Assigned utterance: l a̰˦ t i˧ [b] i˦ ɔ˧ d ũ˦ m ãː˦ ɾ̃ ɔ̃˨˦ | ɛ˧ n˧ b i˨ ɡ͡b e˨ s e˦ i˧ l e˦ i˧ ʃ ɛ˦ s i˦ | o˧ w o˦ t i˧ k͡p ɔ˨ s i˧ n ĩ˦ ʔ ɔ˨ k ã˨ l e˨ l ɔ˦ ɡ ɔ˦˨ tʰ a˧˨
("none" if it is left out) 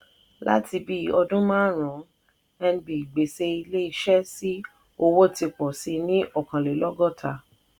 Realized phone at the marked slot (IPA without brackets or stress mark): b